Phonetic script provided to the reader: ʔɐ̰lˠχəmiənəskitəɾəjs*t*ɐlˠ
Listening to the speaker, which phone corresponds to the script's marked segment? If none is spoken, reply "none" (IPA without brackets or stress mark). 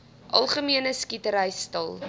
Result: t